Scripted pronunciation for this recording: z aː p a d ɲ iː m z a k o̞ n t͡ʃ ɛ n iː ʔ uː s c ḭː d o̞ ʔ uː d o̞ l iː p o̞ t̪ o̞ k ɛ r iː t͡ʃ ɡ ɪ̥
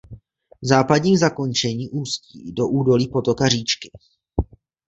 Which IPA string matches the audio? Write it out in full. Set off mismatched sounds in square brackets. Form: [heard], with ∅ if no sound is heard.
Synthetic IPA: z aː p a d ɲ iː m z a k o̞ n t͡ʃ ɛ [ɲ] iː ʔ uː s c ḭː d o̞ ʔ uː d o̞ l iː p o̞ t̪ o̞ k [a] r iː t͡ʃ [k] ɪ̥

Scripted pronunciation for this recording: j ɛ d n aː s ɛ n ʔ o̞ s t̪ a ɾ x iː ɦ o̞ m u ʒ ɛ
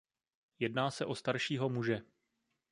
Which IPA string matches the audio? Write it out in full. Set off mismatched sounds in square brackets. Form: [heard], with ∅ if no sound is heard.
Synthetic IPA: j ɛ d n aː s ɛ [∅] ʔ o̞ s t̪ a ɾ [ʃ] iː ɦ o̞ m u ʒ ɛ

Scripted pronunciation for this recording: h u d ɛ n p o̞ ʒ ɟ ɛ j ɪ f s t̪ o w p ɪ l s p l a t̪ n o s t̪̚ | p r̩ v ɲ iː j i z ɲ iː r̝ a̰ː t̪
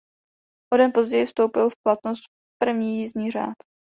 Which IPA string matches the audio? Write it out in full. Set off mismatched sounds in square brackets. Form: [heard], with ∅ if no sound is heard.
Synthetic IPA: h [o] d ɛ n p o̞ [z] ɟ ɛ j ɪ f s t̪ o w p ɪ l [f] p l a t̪ n o s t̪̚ | p r̩ v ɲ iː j i z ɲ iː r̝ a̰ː t̪

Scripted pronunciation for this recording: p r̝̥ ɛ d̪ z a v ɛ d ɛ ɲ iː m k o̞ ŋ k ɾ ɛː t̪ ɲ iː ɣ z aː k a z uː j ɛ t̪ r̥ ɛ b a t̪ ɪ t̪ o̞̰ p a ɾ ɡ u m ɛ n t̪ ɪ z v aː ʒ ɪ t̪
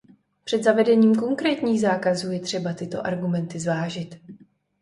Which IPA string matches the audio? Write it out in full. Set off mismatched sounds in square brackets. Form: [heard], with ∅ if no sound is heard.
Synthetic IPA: p r̝̥ ɛ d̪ z a v ɛ d ɛ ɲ iː m k o̞ ŋ k ɾ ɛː t̪ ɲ iː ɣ z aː k a z uː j ɛ t̪ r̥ ɛ b a t̪ ɪ t̪ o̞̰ [ʔ] a ɾ ɡ u m ɛ n t̪ ɪ z v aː ʒ ɪ t̪

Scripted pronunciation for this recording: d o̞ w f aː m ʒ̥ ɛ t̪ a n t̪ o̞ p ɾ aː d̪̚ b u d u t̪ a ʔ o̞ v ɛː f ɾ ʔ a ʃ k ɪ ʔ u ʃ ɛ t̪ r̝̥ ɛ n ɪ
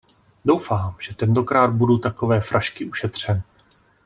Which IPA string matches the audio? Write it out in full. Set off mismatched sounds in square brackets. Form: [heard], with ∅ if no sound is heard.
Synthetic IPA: d o̞ w f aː m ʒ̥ ɛ t̪ [ɛ] n t̪ o̞ [k] ɾ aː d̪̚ b u d u t̪ a [k] o̞ v ɛː f ɾ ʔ a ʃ k ɪ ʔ u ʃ ɛ t̪ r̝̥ ɛ n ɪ

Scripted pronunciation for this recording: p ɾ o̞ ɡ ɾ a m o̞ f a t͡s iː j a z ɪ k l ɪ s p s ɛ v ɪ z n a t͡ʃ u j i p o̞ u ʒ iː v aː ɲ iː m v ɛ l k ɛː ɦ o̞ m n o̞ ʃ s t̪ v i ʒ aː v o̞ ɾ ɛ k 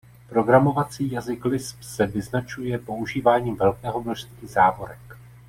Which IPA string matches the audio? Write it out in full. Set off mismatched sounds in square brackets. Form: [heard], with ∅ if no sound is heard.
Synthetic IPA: p ɾ o̞ ɡ ɾ a m o̞ [v] a t͡s iː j a z ɪ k l ɪ s p s ɛ v ɪ z n a t͡ʃ u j [ɛ] p o̞ u ʒ iː v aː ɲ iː m v ɛ l k ɛː ɦ o̞ m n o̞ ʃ s t̪ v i [z] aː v o̞ ɾ ɛ k

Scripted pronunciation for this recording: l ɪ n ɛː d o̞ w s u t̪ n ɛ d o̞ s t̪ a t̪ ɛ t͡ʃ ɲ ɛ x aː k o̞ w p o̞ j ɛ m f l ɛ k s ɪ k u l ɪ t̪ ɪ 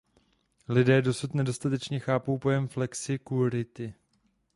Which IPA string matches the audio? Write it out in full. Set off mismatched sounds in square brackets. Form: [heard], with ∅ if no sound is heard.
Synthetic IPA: l ɪ [d] ɛː d o̞ [∅] s u t̪ n ɛ d o̞ s t̪ a t̪ ɛ t͡ʃ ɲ ɛ x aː [p] o̞ w p o̞ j ɛ m f l ɛ k s ɪ k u [ɾ] ɪ t̪ ɪ

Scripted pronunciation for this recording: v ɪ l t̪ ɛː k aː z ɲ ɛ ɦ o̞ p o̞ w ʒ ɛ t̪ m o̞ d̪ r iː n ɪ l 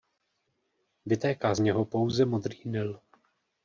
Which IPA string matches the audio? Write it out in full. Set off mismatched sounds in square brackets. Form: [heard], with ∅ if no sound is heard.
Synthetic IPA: v ɪ [∅] t̪ ɛː k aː z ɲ ɛ ɦ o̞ p o̞ w [z] ɛ [∅] m o̞ d̪ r iː n ɪ l

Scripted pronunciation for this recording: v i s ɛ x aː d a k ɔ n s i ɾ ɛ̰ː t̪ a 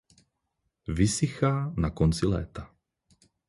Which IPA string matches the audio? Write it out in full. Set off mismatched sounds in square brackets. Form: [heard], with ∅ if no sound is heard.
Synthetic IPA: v i s [i] x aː [n] a k ɔ n [t͡s] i [l] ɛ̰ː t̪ a

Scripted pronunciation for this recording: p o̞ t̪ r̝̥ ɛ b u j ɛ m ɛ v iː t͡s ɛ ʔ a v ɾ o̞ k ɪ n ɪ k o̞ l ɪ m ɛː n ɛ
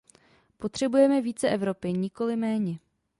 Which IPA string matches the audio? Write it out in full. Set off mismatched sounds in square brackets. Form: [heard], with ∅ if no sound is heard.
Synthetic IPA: p o̞ t̪ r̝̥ ɛ b u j ɛ m ɛ v iː t͡s ɛ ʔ [ɛ] v ɾ o̞ [p] ɪ [ɲ] ɪ k o̞ l ɪ m ɛː [ɲ] ɛ

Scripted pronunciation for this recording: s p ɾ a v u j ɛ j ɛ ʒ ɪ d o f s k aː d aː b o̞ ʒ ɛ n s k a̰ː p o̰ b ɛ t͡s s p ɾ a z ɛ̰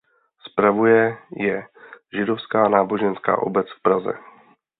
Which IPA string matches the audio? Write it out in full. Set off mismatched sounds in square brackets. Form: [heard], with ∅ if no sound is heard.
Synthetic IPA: s p ɾ a v u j ɛ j ɛ ʒ ɪ d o f s k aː [n] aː b o̞ ʒ ɛ n s k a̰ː [ʔ] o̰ b ɛ t͡s [f] p ɾ a z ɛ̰

